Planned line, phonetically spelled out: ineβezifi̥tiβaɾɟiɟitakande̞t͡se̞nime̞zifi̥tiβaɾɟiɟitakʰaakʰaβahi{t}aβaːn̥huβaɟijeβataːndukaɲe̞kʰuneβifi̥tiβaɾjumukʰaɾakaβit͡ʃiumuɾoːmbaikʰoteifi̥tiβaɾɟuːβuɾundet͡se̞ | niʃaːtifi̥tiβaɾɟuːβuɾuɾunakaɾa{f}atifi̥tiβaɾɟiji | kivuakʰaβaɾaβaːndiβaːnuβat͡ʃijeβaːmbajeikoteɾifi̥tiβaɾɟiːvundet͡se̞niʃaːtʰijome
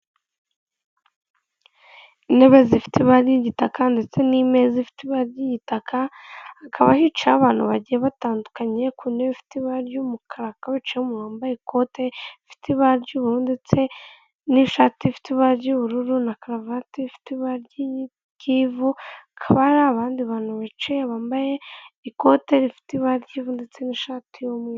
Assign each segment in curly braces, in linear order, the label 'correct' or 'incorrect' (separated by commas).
incorrect, incorrect